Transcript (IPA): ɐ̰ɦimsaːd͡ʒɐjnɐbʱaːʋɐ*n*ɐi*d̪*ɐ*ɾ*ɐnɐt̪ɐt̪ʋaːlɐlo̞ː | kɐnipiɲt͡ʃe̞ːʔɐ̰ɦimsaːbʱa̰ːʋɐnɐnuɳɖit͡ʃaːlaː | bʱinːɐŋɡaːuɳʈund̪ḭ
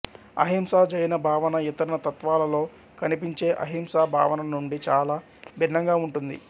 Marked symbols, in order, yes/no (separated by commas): yes, no, yes